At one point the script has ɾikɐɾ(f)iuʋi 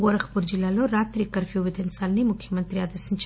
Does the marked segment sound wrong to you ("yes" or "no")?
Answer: no